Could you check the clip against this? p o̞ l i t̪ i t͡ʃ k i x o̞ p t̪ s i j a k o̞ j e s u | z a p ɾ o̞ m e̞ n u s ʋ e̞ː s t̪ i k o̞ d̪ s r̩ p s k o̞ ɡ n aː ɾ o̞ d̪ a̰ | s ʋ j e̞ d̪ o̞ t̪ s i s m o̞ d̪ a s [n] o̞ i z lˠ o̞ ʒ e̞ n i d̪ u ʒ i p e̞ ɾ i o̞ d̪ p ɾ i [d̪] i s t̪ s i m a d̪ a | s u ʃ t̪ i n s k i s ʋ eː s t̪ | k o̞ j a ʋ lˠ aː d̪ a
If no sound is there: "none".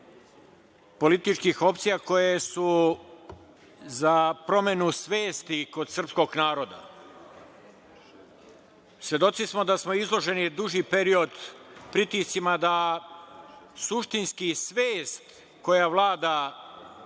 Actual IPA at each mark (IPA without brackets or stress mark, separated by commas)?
m, t̪